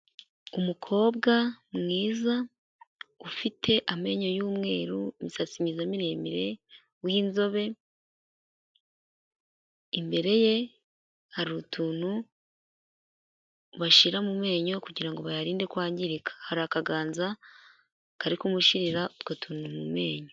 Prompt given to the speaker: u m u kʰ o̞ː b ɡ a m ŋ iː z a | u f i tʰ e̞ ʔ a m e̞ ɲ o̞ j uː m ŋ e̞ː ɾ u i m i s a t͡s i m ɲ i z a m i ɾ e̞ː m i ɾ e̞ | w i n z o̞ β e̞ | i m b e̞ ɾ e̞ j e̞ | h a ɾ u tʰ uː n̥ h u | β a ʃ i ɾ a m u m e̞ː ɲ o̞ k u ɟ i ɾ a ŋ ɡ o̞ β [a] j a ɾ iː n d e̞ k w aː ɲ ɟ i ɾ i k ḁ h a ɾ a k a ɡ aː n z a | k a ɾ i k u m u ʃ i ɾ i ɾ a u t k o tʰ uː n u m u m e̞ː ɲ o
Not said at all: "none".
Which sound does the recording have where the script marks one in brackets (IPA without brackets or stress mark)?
a